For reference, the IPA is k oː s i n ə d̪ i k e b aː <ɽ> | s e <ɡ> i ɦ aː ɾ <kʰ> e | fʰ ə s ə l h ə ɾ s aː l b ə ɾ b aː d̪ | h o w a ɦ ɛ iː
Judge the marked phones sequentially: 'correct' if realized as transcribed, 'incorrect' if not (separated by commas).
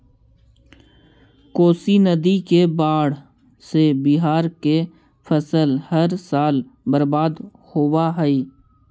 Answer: correct, incorrect, incorrect